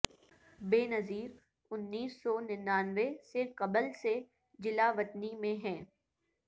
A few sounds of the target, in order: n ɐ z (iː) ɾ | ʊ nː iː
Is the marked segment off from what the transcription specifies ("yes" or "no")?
no